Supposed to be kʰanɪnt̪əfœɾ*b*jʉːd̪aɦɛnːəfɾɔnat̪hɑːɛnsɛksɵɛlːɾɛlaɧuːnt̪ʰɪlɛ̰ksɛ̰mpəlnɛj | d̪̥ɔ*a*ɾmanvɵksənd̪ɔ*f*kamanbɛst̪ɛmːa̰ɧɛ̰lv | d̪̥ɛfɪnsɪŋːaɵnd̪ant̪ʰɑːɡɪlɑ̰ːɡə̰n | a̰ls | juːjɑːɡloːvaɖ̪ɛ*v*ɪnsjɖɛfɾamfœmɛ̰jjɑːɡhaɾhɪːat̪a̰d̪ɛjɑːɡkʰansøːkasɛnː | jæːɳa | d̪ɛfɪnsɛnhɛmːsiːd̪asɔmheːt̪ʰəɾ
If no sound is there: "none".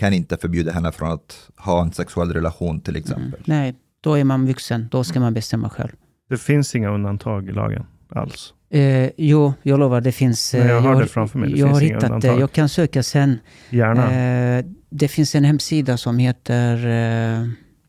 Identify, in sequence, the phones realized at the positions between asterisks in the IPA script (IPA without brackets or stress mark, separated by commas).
b, æ, s, f